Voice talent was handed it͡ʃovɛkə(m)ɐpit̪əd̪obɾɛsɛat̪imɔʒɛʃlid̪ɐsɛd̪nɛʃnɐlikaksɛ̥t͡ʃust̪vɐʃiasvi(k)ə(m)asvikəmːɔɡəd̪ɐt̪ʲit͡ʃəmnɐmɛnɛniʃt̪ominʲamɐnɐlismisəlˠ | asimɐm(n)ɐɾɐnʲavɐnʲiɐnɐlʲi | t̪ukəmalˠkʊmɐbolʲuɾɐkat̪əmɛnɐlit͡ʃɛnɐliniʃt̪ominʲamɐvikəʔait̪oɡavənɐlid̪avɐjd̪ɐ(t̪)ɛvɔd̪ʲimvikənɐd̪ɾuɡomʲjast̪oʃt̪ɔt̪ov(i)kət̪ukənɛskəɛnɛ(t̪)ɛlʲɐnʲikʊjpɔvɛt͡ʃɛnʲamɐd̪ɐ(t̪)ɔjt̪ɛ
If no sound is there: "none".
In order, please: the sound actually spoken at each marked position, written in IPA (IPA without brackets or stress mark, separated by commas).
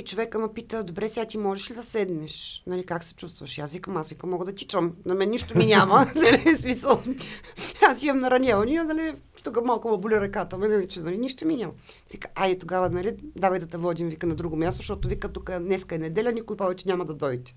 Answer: m, k, m, n, t̪, i, d̪, d̪